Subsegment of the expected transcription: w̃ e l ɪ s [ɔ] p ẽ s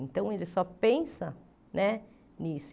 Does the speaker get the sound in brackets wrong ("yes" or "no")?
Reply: no